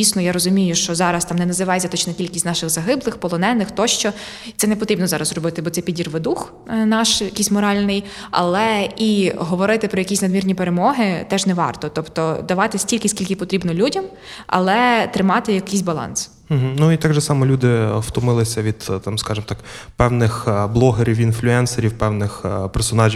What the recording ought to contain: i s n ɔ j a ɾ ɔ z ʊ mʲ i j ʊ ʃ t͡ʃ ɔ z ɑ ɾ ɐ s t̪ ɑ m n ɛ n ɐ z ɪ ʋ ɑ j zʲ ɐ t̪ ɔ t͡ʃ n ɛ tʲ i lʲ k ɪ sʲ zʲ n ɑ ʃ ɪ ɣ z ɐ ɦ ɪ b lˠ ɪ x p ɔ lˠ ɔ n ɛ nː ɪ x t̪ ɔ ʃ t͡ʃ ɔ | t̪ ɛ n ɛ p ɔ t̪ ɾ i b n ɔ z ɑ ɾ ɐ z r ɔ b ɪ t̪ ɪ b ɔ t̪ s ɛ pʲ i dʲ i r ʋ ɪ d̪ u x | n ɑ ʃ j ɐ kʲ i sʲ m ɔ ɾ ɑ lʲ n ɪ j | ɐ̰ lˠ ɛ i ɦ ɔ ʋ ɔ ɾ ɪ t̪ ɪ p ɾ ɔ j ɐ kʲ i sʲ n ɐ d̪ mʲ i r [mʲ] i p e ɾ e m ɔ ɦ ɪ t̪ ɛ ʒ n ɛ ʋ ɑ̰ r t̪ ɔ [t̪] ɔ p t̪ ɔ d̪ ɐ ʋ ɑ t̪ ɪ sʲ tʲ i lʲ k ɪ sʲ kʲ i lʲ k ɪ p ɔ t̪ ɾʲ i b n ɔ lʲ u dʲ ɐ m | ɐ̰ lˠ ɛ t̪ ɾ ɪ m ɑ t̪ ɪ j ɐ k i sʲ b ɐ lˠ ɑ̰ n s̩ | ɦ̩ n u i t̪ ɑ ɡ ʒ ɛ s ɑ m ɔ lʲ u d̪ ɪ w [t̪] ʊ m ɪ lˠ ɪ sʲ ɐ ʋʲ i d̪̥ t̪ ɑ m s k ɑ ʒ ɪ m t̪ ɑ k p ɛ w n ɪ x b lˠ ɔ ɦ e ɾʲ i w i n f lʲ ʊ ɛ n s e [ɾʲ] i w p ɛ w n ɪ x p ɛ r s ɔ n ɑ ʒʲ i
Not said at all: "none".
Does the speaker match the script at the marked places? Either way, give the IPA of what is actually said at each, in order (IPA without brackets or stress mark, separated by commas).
nʲ, t̪, t̪, ɾʲ